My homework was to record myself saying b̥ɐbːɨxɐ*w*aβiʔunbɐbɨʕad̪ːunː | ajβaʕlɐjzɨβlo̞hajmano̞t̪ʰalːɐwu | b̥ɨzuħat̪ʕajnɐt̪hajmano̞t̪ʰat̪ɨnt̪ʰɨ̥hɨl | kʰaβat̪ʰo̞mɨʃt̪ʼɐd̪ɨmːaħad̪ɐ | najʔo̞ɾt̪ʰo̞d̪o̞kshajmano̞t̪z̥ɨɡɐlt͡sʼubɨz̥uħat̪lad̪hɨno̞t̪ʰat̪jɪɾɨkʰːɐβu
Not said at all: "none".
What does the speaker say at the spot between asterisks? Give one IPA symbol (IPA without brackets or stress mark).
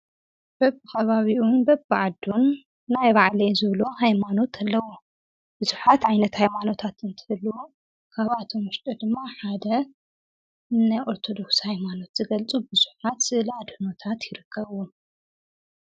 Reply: β